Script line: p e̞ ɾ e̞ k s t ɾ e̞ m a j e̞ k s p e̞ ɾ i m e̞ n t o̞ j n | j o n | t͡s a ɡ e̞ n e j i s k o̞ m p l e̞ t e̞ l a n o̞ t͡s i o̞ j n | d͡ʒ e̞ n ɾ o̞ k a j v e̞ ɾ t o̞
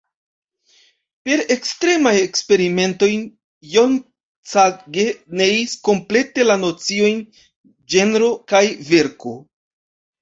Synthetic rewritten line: p e̞ ɾ e̞ k s t ɾ e̞ m a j e̞ k s p e̞ ɾ i m e̞ n t o̞ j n | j o n | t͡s a ɡ e̞ n e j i s k o̞ m p l e̞ t e̞ l a n o̞ t͡s i o̞ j n | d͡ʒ e̞ n ɾ o̞ k a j v e̞ ɾ k o̞